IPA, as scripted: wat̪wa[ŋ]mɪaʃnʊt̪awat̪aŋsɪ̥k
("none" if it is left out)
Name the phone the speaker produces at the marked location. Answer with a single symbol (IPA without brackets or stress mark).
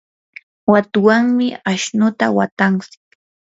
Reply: ŋ